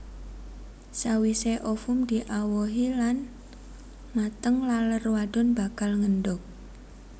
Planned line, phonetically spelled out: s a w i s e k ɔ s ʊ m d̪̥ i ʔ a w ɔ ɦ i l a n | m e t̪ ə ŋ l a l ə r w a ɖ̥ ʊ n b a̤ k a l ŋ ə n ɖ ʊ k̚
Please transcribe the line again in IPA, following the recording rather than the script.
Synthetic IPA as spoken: s a w i s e ʔ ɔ f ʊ m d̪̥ i ʔ a w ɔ ɦ i l a n | m a t̪ ə ŋ l a l ə r w a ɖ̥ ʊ n b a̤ k a l ŋ ə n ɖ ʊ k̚

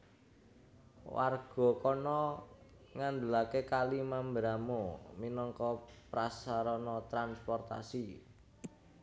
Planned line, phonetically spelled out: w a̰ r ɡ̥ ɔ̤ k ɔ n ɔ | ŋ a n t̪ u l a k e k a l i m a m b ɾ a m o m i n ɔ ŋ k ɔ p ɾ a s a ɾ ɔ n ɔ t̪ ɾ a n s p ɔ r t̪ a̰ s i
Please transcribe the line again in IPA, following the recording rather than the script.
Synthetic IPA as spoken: w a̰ r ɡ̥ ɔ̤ k ɔ n ɔ | ŋ a n d̪ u l a k e k a l i m a m b ɾ a m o m i n ɔ ŋ k ɔ p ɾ a s a ɾ ɔ n ɔ t̪ ɾ a n s p ɔ r t̪ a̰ s i

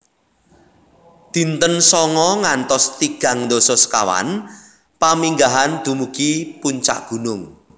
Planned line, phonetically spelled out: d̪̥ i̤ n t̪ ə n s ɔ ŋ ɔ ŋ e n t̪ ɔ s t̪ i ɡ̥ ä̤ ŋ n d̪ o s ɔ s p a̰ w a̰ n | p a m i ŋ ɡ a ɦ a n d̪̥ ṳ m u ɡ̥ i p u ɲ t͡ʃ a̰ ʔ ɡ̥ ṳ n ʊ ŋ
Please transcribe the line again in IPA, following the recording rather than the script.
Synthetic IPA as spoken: d̪̥ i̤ n t̪ ə n s ɔ ŋ ɔ ŋ a n t̪ ɔ s t̪ i ɡ̥ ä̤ ŋ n d̪ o s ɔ s k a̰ w a̰ n | p a m i ŋ ɡ a ɦ a n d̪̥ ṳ m u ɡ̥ i p u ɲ t͡ʃ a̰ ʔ ɡ̥ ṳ n ʊ ŋ

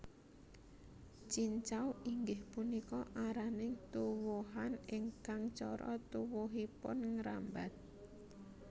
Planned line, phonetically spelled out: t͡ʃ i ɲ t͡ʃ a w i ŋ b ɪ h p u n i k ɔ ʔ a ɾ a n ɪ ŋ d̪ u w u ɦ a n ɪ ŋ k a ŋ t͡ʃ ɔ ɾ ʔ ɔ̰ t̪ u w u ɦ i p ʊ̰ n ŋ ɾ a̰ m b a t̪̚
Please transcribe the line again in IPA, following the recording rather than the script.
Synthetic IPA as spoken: t͡ʃ i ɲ t͡ʃ a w i ŋ ɡ ɪ h p u n i k ɔ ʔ a ɾ a n ɪ ŋ t̪ u w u ɦ a n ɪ ŋ k a ŋ t͡ʃ ɔ ɾ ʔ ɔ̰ t̪ u w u ɦ i p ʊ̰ n ŋ ɾ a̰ m b a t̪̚

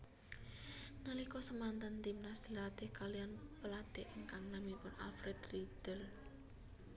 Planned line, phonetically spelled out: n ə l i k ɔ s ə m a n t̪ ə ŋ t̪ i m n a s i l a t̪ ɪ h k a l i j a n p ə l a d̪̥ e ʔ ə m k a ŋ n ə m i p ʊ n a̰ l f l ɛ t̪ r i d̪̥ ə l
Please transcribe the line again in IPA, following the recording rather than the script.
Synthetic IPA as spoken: n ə l i k ɔ s ə m a n t̪ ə n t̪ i m n a s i l a t̪ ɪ h k a l i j a n p ə l a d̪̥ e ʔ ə ŋ k a ŋ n a m i p ʊ n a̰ l f ɾ ɛ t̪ r i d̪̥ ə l

